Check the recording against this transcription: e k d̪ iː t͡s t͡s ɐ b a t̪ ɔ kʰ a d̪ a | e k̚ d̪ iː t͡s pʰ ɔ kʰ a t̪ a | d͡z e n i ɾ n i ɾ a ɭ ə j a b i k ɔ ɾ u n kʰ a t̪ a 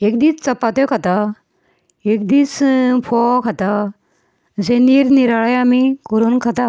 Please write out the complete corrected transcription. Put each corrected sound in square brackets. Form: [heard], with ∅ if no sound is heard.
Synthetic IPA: e k d̪ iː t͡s t͡s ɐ [p] a t̪ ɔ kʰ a [t̪] a | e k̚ d̪ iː t͡s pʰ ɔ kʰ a t̪ a | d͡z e n i ɾ n i ɾ a ɭ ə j a [m] i k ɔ ɾ u n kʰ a t̪ a